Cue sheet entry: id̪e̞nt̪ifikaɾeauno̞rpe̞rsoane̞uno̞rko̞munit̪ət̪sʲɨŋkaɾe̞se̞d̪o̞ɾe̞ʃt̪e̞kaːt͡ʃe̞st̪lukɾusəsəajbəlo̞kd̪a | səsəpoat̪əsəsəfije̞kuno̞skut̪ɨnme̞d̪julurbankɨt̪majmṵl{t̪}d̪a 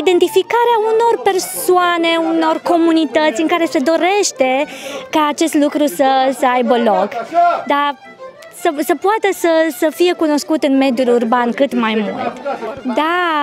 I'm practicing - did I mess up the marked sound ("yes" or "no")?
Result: no